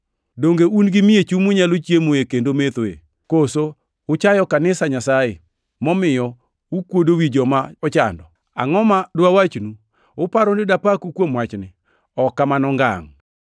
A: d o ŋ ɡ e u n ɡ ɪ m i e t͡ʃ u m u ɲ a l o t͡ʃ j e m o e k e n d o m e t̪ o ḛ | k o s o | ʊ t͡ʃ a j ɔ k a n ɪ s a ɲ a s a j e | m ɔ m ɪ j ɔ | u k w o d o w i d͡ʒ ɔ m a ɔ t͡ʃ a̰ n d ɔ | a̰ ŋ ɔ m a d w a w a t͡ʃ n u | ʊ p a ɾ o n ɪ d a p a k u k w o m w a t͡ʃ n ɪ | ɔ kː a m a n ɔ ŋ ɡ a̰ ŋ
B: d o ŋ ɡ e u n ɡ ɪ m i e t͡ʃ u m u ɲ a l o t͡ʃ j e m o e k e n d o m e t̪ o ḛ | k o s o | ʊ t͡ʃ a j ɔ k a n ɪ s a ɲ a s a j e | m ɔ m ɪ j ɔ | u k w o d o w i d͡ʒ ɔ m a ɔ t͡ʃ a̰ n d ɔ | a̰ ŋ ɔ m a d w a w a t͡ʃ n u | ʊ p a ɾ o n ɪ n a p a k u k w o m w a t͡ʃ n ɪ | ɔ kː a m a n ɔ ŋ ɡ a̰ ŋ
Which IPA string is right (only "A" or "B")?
A